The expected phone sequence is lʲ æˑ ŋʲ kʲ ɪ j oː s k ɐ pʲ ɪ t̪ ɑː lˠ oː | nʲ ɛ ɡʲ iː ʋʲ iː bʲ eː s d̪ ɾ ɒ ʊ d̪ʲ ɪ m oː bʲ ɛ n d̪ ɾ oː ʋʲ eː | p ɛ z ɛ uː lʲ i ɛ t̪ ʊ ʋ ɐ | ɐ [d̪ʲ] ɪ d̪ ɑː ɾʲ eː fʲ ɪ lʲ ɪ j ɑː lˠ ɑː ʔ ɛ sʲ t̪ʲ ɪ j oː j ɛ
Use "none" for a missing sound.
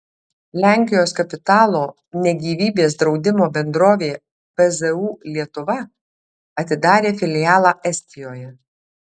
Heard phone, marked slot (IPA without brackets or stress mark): t̪ʲ